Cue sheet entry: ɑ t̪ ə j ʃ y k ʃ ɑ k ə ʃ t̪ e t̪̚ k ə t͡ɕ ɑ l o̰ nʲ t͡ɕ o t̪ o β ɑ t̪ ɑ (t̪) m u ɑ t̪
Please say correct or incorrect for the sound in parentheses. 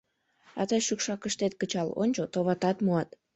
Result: correct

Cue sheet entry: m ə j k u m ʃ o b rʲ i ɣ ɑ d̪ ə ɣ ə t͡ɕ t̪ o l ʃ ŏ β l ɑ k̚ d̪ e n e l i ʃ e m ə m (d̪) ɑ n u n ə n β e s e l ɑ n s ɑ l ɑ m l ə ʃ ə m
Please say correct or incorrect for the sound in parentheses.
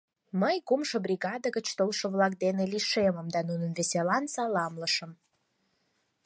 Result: correct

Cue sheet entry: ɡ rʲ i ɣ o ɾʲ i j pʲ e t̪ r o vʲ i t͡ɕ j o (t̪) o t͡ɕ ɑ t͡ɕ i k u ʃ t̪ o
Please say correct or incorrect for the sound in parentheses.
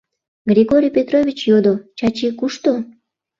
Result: incorrect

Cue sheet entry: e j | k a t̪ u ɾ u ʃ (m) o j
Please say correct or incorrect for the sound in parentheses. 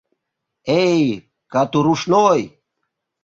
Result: incorrect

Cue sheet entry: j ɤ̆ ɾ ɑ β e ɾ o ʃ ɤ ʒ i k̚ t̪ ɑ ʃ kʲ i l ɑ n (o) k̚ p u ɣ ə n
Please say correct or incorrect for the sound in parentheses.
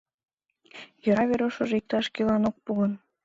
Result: correct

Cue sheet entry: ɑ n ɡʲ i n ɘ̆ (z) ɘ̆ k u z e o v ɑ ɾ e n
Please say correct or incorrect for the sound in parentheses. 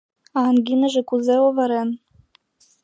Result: incorrect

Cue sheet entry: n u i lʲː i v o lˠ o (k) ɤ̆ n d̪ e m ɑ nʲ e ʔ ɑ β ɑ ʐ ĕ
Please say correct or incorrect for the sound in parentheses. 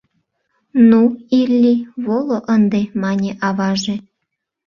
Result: incorrect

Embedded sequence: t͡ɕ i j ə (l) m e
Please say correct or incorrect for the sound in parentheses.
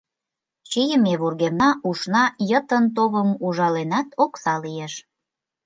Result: incorrect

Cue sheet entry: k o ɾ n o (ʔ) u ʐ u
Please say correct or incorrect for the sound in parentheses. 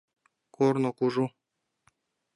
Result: incorrect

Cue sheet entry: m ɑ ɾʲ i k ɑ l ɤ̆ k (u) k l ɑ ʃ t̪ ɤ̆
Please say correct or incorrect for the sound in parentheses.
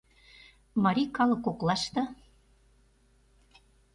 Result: incorrect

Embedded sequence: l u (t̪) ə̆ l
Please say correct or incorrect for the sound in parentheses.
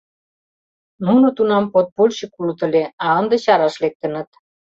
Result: correct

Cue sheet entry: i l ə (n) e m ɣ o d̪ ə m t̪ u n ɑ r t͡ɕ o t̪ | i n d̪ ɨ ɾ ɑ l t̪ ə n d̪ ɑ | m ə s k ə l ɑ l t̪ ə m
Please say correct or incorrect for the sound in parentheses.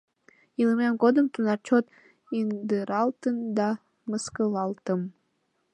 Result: incorrect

